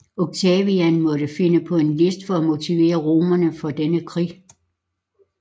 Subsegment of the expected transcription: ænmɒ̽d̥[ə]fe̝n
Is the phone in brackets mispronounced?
no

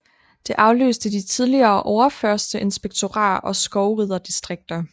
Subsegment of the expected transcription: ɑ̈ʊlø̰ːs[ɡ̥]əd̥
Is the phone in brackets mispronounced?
yes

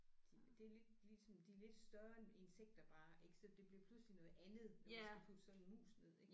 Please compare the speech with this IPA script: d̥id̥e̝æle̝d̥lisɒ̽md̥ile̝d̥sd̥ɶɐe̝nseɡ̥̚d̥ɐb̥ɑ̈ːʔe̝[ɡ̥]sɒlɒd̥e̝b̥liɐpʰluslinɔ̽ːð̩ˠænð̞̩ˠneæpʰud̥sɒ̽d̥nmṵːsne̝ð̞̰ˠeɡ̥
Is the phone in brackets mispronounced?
no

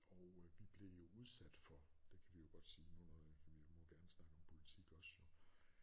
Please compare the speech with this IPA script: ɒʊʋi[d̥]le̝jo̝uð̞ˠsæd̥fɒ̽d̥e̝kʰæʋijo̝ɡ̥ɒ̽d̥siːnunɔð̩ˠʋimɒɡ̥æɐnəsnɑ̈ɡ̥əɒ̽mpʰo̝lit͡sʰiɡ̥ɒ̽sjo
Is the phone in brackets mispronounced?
yes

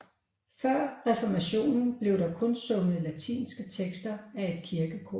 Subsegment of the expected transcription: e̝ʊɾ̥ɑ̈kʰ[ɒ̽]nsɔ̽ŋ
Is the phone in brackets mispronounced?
yes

